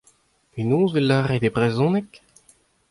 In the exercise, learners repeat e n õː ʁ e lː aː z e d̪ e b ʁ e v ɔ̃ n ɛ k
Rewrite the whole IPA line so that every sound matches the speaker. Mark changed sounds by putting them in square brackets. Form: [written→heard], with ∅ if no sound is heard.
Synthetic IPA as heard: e n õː [ʁ→z] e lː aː [z→ʁ] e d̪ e b ʁ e [v→z] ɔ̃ n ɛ k